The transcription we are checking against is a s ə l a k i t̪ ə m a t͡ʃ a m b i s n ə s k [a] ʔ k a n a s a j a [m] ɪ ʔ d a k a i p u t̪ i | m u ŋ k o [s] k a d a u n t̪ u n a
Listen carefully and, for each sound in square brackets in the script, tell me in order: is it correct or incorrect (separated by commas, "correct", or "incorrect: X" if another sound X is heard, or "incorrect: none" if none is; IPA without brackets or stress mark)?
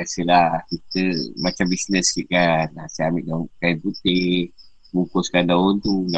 incorrect: i, correct, correct